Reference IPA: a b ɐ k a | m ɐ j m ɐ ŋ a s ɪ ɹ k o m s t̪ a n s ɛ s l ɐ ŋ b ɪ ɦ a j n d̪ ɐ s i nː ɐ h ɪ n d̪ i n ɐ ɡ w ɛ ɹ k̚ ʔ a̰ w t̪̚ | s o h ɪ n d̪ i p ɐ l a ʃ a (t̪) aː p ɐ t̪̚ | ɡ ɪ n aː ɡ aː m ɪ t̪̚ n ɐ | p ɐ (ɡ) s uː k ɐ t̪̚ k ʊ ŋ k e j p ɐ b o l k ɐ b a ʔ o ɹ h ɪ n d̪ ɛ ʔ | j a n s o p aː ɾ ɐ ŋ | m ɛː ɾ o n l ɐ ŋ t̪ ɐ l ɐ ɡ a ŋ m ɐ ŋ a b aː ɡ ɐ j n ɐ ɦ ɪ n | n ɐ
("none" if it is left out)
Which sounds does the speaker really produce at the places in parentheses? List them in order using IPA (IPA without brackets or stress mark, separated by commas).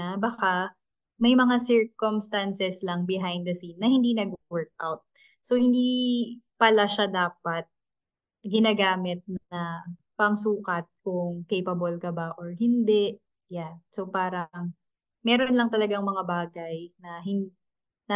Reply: d̪, ŋ